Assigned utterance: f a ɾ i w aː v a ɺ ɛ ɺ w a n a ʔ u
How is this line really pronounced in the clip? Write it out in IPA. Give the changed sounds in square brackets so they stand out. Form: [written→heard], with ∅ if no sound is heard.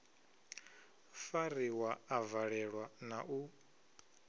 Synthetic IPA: f a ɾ i w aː v a ɺ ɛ ɺ w a n a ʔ u